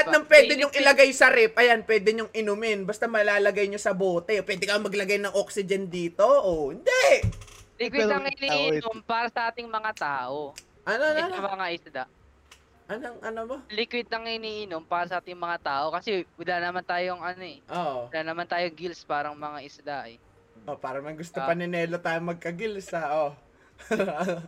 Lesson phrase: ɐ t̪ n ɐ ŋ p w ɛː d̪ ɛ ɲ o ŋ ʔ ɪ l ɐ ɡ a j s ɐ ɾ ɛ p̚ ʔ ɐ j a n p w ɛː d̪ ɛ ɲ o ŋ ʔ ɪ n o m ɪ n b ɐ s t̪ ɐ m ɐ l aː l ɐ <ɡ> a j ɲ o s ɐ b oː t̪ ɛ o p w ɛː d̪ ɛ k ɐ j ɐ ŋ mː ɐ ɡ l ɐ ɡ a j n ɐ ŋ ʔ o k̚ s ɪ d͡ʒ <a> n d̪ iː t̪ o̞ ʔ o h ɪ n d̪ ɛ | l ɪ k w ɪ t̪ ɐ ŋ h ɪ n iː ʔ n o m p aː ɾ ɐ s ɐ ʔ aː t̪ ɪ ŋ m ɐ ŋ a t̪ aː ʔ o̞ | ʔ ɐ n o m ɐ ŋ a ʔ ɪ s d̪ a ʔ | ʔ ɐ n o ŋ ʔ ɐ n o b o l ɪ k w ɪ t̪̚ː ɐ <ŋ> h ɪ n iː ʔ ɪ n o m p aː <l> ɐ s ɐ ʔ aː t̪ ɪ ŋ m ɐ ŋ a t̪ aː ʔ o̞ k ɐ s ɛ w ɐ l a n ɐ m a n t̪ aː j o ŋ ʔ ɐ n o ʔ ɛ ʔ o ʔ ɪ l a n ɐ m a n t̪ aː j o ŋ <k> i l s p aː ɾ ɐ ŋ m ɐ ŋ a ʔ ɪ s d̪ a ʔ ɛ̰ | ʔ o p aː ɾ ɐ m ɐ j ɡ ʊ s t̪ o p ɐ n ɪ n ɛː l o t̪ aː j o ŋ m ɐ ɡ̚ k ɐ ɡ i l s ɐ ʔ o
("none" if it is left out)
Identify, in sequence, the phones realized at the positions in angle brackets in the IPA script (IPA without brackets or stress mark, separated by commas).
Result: ɡ, ɛ, ŋ, ɾ, ɡ